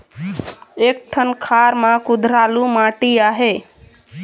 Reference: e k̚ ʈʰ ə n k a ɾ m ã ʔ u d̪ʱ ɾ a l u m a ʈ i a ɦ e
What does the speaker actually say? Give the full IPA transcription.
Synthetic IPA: e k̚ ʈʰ ə n kʰ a ɾ m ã k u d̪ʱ ɾ a l u m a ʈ i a ɦ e